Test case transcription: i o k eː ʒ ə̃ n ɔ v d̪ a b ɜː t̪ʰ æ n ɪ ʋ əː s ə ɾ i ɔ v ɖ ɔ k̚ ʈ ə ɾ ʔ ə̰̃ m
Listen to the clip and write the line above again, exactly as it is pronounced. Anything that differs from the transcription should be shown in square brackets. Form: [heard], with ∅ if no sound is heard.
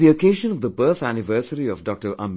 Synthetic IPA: i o k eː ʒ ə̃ n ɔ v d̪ [ə] b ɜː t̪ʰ æ n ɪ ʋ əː s ə ɾ i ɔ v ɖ ɔ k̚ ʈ ə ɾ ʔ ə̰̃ m